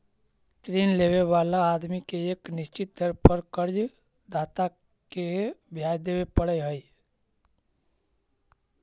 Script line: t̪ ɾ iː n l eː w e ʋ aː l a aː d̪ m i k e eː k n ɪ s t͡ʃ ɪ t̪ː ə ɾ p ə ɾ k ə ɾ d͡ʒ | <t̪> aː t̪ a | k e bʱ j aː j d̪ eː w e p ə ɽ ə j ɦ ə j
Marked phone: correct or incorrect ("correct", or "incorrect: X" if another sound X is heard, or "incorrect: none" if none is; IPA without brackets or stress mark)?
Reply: incorrect: d̪